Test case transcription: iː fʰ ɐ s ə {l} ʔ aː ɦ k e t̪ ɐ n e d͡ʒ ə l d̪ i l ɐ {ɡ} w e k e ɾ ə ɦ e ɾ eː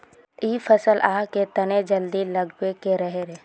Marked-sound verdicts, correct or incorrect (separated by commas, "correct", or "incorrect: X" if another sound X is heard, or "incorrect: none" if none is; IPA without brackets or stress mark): correct, correct